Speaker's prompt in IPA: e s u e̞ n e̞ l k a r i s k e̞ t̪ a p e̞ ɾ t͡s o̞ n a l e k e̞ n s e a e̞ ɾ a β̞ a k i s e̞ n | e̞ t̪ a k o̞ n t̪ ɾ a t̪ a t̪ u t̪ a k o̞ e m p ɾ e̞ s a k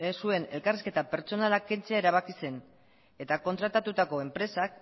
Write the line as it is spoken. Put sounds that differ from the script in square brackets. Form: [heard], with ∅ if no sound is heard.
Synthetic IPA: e s u e̞ n e̞ l k a r i s k e̞ t̪ a p e̞ ɾ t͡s o̞ n a l [a] k e̞ n [t͡s] e a e̞ ɾ a β̞ a k i s e̞ n | e̞ t̪ a k o̞ n t̪ ɾ a t̪ a t̪ u t̪ a k o̞ e m p ɾ e̞ s a k